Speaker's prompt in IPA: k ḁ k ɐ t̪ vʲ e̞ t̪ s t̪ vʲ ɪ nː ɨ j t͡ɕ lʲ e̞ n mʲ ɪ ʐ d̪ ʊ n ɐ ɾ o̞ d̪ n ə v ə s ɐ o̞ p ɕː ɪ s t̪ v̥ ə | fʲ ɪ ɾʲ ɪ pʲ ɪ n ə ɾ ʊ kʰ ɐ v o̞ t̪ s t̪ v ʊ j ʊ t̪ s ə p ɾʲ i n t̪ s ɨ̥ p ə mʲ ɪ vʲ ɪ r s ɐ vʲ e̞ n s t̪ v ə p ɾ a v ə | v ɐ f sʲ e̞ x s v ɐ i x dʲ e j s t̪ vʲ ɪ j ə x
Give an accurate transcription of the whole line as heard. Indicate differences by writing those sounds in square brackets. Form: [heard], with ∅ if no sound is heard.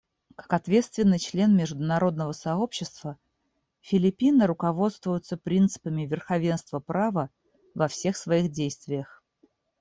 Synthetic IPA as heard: k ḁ k ɐ t̪ vʲ e̞ t̪ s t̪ vʲ ɪ nː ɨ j t͡ɕ lʲ e̞ n mʲ ɪ ʐ d̪ ʊ n ɐ ɾ o̞ d̪ n ə v ə s ɐ o̞ p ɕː ɪ s t̪ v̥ ə | fʲ ɪ [lʲ] ɪ pʲ [i] n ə ɾ ʊ [k] ɐ v o̞ t̪ s t̪ v ʊ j ʊ t̪ s ə p ɾʲ i n t̪ s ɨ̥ p ə mʲ ɪ vʲ ɪ r [x] ɐ vʲ e̞ n s t̪ v ə p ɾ a v ə | v ɐ f sʲ e̞ x s v ɐ i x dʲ e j s t̪ vʲ ɪ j ə x